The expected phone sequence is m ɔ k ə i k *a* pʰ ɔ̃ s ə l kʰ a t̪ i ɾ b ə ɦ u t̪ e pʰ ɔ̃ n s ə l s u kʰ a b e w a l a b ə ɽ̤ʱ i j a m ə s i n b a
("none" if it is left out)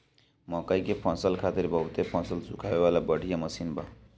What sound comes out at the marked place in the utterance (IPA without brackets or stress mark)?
e